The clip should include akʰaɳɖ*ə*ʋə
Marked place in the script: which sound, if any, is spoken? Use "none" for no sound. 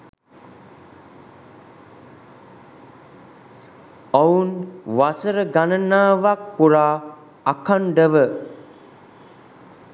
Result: ə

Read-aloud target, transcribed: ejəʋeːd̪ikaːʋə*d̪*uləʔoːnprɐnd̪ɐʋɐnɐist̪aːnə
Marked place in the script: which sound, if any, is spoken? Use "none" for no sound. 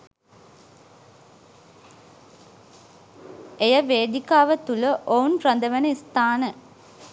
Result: t̪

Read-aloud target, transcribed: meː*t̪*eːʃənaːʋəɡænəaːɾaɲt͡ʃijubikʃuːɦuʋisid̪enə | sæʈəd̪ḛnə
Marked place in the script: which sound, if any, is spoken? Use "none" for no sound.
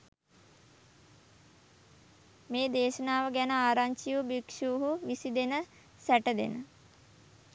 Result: d̪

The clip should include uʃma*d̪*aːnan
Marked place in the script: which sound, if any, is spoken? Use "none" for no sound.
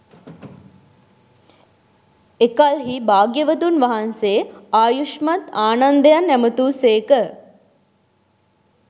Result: t̪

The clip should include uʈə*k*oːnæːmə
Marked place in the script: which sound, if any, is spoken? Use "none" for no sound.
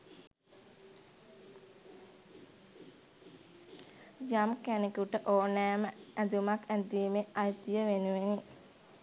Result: ʔ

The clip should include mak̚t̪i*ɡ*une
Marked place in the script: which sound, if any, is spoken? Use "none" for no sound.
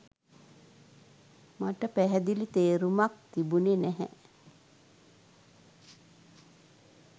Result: b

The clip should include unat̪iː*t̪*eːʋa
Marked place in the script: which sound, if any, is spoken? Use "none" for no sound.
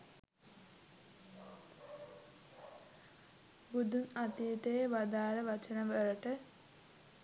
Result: t̪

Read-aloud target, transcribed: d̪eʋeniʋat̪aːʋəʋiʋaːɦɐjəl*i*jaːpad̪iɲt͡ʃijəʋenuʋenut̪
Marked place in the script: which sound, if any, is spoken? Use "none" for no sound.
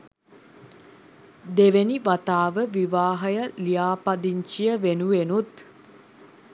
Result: i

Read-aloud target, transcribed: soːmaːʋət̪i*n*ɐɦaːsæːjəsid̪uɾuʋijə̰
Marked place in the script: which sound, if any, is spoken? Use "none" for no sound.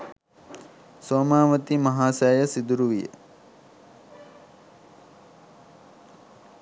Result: m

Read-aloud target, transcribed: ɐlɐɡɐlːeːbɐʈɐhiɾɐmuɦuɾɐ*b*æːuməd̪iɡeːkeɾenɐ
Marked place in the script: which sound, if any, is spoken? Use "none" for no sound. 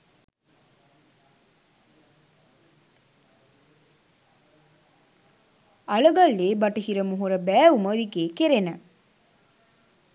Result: b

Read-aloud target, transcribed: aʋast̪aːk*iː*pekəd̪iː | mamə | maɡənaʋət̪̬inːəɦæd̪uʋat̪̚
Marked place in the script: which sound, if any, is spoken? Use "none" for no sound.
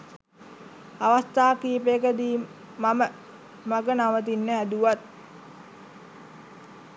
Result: iː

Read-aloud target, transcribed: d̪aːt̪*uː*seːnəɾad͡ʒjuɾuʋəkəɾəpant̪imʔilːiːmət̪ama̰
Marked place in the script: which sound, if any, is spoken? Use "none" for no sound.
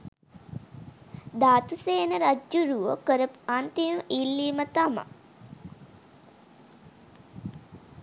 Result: u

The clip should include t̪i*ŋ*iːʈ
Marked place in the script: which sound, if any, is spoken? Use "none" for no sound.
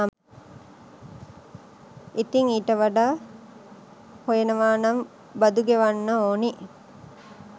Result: ŋ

